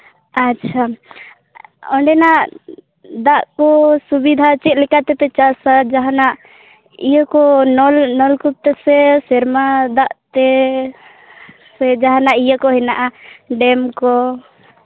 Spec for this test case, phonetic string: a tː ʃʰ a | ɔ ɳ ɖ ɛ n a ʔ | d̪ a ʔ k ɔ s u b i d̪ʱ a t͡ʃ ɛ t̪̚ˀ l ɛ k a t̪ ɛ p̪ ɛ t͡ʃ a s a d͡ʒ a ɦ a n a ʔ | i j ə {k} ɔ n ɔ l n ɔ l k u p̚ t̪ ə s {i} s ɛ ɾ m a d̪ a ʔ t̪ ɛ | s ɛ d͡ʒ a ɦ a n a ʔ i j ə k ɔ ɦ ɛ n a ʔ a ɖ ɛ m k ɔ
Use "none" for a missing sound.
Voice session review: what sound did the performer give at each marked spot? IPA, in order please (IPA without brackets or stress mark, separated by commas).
k, ɛ